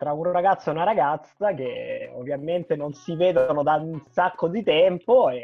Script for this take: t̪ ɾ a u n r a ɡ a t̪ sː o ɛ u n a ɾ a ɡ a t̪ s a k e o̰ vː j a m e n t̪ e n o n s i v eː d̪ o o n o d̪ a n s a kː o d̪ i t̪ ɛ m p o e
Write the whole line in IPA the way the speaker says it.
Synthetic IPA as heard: t̪ ɾ a u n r a ɡ a t̪ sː o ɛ u n a ɾ a ɡ a t̪ s a k e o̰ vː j a m e n t̪ e n o n s i v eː d̪ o o n o d̪ a n s a kː o d̪ i t̪ ɛ m p o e